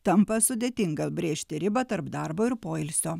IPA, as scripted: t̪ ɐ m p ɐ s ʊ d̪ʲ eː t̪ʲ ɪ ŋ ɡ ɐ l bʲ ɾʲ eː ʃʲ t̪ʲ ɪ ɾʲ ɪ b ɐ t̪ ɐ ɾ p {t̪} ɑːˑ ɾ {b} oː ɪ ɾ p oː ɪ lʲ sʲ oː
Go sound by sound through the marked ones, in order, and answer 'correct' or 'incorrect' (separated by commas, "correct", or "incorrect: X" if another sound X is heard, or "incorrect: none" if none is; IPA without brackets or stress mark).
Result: incorrect: d̪, correct